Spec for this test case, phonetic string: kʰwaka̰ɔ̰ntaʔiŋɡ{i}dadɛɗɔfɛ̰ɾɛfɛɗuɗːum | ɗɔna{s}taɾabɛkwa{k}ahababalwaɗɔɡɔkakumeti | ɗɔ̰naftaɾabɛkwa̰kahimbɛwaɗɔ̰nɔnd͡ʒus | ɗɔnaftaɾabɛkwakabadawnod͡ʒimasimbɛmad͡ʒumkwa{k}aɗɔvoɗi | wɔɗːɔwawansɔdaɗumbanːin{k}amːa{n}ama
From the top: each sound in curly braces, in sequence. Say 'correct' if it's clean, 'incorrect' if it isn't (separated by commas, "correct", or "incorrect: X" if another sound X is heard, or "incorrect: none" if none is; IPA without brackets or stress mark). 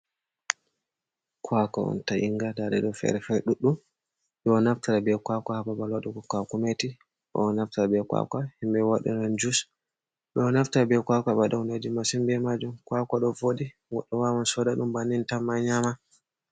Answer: incorrect: a, incorrect: f, correct, correct, incorrect: t, incorrect: ɲ